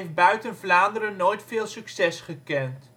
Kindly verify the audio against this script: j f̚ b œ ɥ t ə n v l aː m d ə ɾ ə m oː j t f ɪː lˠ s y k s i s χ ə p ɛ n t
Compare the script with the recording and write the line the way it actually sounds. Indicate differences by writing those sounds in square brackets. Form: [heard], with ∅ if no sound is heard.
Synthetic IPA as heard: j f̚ b œ ɥ t ə n v l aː [n] d ə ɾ ə [n] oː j t f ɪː lˠ s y k s [ɛ] s χ ə [k] ɛ n t

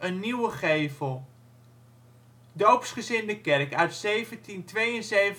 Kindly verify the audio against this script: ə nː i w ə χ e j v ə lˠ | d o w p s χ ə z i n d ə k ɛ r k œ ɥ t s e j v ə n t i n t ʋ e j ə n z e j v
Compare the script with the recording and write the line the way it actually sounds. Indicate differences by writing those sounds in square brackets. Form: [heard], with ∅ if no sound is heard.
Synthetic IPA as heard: ə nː i w ə χ e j v ə lˠ | d o w p s χ ə z [ɪ] n d ə k ɛ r k œ ɥ t s e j v ə n t i n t ʋ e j ə n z e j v

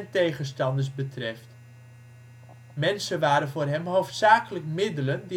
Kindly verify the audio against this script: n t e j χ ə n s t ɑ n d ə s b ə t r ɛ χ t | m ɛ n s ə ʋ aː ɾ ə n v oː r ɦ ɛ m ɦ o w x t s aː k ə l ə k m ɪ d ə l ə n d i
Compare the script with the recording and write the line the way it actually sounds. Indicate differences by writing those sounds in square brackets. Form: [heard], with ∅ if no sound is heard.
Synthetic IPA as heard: n t e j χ ə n s t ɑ n d ə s b ə t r ɛ [f] t | m ɛ n s ə ʋ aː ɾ ə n v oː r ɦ ɛ m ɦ o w [f] t s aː k ə l ə k m ɪ d ə l ə n d i

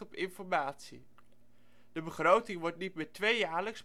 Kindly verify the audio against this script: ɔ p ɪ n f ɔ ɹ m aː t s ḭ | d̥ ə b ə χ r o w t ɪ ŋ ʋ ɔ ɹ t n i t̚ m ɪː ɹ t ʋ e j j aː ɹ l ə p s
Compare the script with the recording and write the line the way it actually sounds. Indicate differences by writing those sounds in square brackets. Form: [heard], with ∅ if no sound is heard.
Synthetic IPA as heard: ɔ p ɪ n f ɔ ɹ m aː t s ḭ | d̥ ə b ə χ r o w t ɪ ŋ ʋ ɔ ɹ t n i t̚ m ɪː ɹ t ʋ e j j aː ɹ l ə [k] s

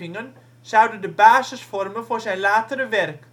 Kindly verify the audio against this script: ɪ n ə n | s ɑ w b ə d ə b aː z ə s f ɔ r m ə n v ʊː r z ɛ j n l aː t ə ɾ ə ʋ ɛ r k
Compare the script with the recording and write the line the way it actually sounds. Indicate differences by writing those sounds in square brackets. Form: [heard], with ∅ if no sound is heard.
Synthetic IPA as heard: ɪ [ŋ] ə n | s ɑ w [d] ə d ə b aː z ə s f ɔ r m ə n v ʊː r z ɛ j n l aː t ə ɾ ə ʋ ɛ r k

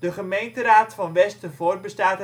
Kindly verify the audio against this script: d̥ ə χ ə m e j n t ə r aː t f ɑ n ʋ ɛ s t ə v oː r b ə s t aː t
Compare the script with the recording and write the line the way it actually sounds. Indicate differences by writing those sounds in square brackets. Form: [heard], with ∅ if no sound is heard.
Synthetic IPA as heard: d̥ ə χ ə m e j n t ə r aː t f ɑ n ʋ ɛ s t ə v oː r b ə s t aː t

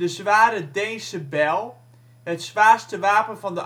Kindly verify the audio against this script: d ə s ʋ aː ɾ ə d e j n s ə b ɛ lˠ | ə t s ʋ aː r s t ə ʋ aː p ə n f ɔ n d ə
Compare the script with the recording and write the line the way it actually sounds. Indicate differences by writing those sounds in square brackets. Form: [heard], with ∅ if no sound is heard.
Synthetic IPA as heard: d ə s ʋ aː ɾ ə d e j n s ə b ɛ lˠ | ə t s ʋ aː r s t ə ʋ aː p ə n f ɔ n d ə

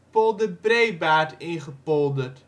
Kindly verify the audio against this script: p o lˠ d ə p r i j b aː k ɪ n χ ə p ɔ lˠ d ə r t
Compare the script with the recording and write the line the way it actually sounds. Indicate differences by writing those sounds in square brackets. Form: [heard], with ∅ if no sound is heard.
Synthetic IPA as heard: p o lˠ d ə [b] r [e] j b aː [t] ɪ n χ ə p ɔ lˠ d ə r t

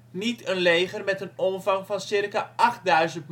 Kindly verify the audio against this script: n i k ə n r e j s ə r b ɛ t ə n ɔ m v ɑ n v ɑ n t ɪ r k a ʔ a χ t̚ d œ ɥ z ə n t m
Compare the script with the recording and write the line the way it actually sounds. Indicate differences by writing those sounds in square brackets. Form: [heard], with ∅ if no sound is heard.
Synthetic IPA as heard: n i [t] ə n [l] e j [χ] ə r [m] ɛ t ə n ɔ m v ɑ [ŋ] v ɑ n [s] ɪ r k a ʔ [ɑ] χ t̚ d œ ɥ z ə n t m

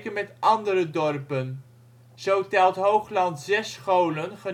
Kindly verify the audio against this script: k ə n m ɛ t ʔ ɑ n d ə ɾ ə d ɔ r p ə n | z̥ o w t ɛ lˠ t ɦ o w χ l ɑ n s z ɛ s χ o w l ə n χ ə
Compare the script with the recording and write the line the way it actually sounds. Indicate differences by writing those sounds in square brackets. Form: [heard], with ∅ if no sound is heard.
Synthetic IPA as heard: k ə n m ɛ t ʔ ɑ n d ə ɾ ə d ɔ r p ə n | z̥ o w t ɛ lˠ t ɦ o w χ l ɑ n [t] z ɛ s χ o w l ə n χ ə

